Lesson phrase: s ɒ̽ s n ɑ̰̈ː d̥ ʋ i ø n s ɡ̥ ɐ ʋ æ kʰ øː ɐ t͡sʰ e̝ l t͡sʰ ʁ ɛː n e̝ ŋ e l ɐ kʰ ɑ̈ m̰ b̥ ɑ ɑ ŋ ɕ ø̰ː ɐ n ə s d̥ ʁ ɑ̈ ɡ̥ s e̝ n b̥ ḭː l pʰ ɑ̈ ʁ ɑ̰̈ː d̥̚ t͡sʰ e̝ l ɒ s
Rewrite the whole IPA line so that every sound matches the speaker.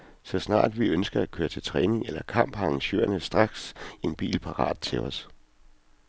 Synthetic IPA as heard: s ɒ̽ s n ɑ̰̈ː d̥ ʋ i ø n s ɡ̥ ɐ æ kʰ øː ɐ t͡sʰ e̝ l t͡sʰ ʁ ɛː n e̝ ŋ e l ɐ kʰ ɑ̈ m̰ b̥ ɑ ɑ ŋ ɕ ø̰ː ɐ n ə s d̥ ʁ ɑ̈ ɡ̥ s e̝ n b̥ ḭː l pʰ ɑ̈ ʁ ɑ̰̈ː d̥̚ t͡sʰ e̝ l ɒ s